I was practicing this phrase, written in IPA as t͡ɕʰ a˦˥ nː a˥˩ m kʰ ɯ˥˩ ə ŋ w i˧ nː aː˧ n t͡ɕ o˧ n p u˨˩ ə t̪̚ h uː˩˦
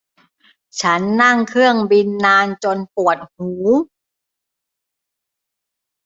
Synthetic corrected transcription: t͡ɕʰ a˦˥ nː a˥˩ ŋ kʰ ɯ˥˩ ə ŋ b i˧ nː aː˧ n t͡ɕ o˧ n p u˨˩ ə t̪̚ h uː˩˦